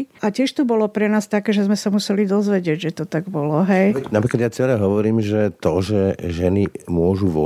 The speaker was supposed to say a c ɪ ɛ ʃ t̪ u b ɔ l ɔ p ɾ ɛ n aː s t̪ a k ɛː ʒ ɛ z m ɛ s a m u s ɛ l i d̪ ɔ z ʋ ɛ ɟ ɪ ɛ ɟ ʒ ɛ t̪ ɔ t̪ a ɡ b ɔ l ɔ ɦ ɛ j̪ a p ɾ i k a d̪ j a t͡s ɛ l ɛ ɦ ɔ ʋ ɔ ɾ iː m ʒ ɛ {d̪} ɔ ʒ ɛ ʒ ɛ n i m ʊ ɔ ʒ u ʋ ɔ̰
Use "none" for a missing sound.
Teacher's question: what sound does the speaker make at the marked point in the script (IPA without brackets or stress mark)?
t̪